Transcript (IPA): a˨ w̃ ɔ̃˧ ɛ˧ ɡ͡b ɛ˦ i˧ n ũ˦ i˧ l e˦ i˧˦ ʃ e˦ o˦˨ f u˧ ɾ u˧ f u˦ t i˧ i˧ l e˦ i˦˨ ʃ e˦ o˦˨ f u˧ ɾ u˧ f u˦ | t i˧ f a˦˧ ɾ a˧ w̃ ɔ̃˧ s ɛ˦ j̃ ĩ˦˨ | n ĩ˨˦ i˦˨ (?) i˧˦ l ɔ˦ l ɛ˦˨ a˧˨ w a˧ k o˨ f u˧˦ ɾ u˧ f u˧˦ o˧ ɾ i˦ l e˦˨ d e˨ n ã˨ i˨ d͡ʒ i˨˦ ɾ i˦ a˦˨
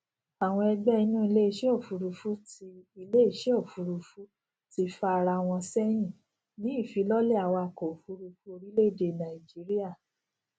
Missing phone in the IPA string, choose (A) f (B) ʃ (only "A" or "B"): A